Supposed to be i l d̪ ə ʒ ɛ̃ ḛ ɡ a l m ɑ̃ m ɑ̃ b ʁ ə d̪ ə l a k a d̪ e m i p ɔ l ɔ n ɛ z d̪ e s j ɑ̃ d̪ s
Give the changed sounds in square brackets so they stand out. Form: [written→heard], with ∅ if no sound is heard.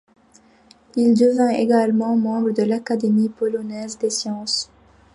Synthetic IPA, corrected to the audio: i l d̪ ə [ʒ→v] ɛ̃ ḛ ɡ a l m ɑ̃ m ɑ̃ b ʁ ə d̪ ə l a k a d̪ e m i p ɔ l ɔ n ɛ z d̪ e s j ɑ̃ [d̪→∅] s